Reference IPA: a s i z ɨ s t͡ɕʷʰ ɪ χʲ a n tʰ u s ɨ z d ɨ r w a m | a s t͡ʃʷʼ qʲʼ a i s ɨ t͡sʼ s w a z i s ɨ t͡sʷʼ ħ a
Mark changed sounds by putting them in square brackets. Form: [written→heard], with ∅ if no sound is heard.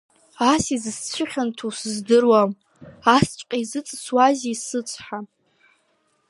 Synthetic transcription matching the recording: a s i z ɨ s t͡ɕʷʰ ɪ χʲ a n tʰ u s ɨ z d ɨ r w a m | a s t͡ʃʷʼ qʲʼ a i [s→z] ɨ t͡sʼ s w a z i s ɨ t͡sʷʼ ħ a